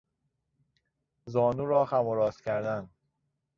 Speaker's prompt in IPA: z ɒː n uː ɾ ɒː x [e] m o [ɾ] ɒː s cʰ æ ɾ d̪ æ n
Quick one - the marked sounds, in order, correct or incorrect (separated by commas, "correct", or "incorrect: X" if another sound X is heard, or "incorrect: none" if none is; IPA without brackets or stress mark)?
incorrect: æ, correct